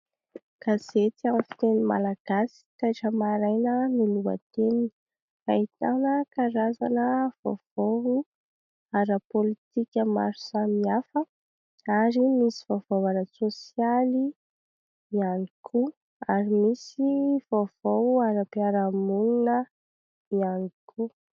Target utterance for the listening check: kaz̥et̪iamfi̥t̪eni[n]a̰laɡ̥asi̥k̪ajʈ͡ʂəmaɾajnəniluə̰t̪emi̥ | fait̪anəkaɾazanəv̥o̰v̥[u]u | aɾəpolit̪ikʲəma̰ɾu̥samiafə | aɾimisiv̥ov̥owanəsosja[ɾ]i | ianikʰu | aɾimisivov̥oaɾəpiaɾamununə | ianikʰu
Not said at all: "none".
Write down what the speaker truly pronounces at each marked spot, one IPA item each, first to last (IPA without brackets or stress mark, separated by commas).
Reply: m, o, l